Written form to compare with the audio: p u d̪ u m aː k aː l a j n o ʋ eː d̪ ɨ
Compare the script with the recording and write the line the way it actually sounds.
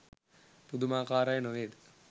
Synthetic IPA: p u d̪ u m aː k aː ɾ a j n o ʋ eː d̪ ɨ